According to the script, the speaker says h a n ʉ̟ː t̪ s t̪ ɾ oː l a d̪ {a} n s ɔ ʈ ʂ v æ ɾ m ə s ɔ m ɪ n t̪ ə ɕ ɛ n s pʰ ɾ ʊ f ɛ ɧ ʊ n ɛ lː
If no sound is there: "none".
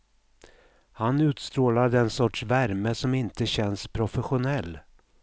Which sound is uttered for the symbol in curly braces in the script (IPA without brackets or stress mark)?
ɛ